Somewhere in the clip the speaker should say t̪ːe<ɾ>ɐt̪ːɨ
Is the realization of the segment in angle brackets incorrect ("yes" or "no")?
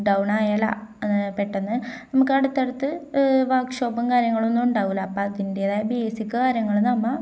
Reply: yes